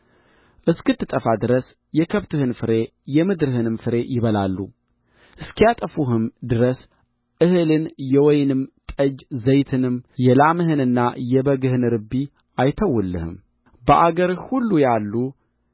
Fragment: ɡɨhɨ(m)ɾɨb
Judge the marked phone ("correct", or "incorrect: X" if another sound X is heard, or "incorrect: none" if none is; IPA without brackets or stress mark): incorrect: n